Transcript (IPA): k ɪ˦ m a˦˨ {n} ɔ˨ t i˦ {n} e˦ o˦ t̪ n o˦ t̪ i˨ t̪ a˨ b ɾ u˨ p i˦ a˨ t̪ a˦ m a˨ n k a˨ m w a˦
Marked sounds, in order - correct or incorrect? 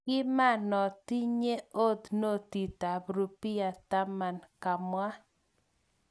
correct, incorrect: ɲ

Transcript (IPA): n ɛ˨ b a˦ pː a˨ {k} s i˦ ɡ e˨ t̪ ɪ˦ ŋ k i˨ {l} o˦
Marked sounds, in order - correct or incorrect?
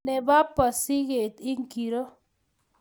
incorrect: none, incorrect: ɾ

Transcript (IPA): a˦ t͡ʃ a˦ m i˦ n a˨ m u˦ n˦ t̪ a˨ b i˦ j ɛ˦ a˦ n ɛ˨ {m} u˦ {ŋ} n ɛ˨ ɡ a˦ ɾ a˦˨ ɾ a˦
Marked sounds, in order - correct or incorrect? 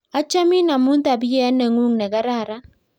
incorrect: ŋ, correct

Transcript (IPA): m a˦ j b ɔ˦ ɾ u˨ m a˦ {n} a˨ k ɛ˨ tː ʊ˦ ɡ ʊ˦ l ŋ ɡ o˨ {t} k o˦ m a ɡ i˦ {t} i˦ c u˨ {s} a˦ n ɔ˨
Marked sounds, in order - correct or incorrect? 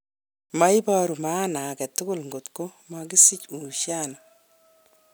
correct, correct, incorrect: s, incorrect: ʃ

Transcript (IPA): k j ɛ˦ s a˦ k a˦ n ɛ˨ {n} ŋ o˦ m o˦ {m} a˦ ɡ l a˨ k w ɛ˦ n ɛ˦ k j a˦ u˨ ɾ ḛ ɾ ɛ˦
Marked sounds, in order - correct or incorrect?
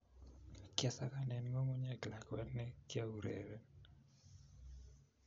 correct, incorrect: ɲ

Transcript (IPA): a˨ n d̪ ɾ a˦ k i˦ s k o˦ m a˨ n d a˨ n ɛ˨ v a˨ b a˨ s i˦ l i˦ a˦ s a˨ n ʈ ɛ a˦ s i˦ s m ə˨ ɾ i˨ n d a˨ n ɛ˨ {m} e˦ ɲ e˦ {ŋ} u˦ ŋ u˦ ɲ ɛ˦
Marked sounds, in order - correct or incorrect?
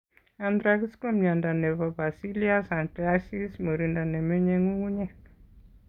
correct, correct

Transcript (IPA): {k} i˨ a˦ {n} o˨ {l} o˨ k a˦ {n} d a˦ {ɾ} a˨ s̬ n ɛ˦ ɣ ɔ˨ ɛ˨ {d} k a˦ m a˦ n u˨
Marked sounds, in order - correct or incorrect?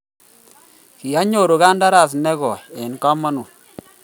correct, incorrect: ɲ, incorrect: ɾ, correct, correct, incorrect: n

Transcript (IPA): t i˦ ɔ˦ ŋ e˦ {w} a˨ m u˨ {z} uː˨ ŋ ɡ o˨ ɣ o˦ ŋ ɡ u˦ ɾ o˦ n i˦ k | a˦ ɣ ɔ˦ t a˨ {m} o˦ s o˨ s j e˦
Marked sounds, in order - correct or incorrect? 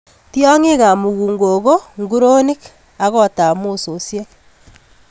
incorrect: ɣ, incorrect: ɣ, correct

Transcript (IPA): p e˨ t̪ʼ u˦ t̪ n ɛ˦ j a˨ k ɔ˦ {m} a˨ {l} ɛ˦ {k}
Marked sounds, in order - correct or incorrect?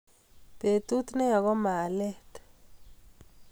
correct, correct, incorrect: t

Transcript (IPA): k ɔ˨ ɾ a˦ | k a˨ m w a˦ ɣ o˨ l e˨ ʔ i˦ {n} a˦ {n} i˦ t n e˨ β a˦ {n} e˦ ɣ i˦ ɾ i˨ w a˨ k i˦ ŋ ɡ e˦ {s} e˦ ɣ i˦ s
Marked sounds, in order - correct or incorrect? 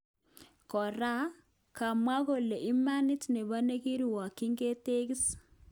incorrect: m, correct, correct, incorrect: t

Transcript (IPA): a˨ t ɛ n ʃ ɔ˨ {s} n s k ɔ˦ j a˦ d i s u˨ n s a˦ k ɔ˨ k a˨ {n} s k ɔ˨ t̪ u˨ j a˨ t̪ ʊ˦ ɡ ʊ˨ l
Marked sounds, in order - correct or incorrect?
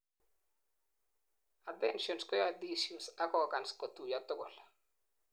incorrect: none, correct

